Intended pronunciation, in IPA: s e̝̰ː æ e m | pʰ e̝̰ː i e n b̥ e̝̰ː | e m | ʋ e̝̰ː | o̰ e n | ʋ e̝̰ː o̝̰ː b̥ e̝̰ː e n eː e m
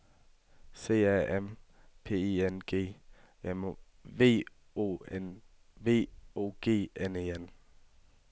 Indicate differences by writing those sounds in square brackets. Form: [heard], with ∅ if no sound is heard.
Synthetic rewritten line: s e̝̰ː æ e m | pʰ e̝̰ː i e n [ɡ̥] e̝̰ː | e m | ʋ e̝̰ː | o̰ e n | ʋ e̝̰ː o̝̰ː [ɡ̥] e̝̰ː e n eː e [n]